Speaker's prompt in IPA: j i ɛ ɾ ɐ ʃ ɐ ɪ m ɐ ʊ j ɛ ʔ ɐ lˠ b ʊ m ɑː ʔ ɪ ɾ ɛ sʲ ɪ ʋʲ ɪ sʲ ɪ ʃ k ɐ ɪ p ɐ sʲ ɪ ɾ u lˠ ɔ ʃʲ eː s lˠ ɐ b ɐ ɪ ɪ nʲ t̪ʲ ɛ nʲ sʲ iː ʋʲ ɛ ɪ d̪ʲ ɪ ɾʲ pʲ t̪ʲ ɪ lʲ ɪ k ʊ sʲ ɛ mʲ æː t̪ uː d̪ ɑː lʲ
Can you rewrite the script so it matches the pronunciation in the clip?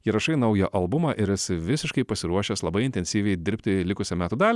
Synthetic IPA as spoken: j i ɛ ɾ ɐ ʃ ɐ ɪ n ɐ ʊ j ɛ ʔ ɐ lˠ b ʊ m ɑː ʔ ɪ ɾ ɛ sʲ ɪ ʋʲ ɪ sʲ ɪ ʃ k ɐ ɪ p ɐ sʲ ɪ ɾ u ɔ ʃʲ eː s lˠ ɐ b ɐ ɪ ɪ nʲ t̪ʲ ɛ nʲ sʲ iː ʋʲ ɛ ɪ d̪ʲ ɪ ɾʲ pʲ t̪ʲ ɪ lʲ ɪ k ʊ sʲ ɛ mʲ æː t̪ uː d̪ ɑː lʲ

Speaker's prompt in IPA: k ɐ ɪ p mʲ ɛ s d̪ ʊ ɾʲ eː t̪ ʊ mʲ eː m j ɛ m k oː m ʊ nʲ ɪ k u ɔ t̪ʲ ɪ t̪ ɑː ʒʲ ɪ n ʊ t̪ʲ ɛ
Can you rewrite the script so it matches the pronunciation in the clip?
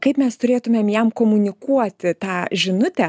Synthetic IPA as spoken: k ɐ ɪ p mʲ ɛ s t̪ ʊ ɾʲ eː t̪ ʊ mʲ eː m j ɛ m k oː m ʊ nʲ ɪ k u ɔ t̪ʲ ɪ t̪ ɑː ʒʲ ɪ n ʊ t̪ʲ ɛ

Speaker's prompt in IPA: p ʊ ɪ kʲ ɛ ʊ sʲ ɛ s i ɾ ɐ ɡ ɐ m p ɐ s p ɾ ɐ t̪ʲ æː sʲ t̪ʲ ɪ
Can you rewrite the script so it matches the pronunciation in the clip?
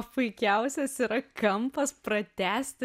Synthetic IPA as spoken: p ʊ ɪ kʲ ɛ ʊ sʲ ɛ s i ɾ ɐ k ɐ m p ɐ s p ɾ ɐ t̪ʲ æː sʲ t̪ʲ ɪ

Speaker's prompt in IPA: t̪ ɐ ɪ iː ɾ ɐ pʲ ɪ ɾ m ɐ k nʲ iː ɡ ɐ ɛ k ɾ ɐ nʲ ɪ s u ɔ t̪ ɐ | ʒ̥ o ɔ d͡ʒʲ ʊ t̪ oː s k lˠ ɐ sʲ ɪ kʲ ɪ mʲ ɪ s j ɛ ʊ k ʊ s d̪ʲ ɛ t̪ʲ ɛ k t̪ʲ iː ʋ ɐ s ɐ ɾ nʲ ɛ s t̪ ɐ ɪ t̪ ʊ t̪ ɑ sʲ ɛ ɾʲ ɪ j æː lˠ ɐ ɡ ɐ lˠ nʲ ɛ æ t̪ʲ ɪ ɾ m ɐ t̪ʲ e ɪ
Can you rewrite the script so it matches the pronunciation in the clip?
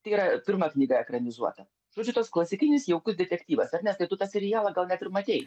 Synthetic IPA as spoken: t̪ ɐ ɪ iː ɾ ɐ pʲ ɪ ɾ m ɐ k nʲ iː ɡ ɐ ɛ k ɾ ɐ nʲ ɪ z u ɔ t̪ ɐ | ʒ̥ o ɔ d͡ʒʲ ʊ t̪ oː s k lˠ ɐ sʲ ɪ kʲ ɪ nʲ ɪ s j ɛ ʊ k ʊ s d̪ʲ ɛ t̪ʲ ɛ k t̪ʲ iː ʋ ɐ s ɐ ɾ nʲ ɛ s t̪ ɐ ɪ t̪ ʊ t̪ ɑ sʲ ɛ ɾʲ ɪ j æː lˠ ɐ ɡ ɐ lˠ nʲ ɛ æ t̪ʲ ɪ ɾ m ɐ t̪ʲ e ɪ

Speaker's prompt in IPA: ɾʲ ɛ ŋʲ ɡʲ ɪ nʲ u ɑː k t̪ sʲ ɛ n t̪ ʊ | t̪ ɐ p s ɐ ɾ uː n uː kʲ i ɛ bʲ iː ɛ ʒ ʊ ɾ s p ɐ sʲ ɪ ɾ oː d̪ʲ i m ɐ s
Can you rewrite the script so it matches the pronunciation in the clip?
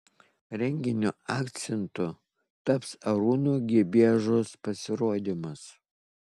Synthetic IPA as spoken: ɾʲ ɛ ŋʲ ɡʲ ɪ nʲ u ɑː k t̪ sʲ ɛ n t̪ ʊ | t̪ ɐ p s ɐ ɾ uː n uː ɡʲ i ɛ bʲ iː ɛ ʒ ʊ s p ɐ sʲ ɪ ɾ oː d̪ʲ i m ɐ s

